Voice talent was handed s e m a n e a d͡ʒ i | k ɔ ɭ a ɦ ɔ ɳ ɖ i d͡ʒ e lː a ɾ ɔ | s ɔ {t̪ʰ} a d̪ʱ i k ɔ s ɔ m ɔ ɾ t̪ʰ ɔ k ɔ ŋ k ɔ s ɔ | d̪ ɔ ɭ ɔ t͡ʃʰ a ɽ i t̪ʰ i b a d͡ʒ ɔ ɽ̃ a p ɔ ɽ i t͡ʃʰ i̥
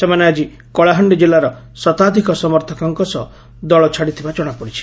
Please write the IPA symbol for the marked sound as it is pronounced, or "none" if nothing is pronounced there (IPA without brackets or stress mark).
t̪